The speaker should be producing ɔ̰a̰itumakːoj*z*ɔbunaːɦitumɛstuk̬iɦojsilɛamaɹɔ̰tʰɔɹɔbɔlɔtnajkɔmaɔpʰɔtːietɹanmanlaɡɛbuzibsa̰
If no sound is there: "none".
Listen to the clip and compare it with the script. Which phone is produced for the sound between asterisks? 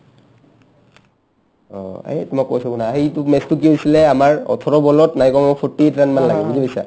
s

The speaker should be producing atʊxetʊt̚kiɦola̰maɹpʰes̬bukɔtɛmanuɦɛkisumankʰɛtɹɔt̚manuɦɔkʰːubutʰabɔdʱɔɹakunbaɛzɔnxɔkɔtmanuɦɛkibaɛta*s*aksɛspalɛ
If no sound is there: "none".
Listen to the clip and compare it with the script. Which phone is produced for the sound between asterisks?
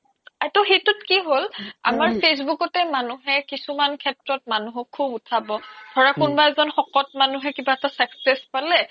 s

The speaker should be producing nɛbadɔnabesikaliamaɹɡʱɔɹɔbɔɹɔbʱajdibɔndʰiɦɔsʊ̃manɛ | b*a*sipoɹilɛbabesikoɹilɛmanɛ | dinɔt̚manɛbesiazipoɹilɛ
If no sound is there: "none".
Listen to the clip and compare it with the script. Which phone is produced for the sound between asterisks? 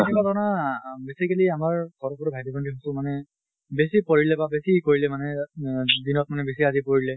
e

